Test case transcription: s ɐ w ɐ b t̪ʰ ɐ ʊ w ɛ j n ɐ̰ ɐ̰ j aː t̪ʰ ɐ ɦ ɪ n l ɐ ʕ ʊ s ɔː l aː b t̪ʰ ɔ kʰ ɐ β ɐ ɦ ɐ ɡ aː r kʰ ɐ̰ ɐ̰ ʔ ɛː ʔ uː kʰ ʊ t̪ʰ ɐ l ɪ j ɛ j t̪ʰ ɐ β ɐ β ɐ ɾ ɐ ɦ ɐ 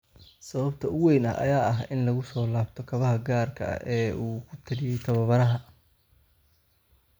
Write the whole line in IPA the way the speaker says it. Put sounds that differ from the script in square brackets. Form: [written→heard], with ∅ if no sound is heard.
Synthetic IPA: s ɐ [w→β] ɐ b t̪ʰ ɐ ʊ w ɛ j n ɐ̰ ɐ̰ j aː [t̪ʰ→∅] ɐ ɦ ɪ n l ɐ [ʕ→ɣ] ʊ s ɔː l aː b t̪ʰ ɔ kʰ ɐ β ɐ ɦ ɐ ɡ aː r kʰ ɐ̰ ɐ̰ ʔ ɛː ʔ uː kʰ ʊ t̪ʰ ɐ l ɪ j ɛ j t̪ʰ ɐ β ɐ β ɐ ɾ ɐ ɦ ɐ